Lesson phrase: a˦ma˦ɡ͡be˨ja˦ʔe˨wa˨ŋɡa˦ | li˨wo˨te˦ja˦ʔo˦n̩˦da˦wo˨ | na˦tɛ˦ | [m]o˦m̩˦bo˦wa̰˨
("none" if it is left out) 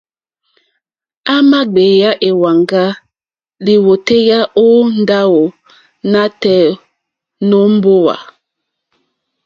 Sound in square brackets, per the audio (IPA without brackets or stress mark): n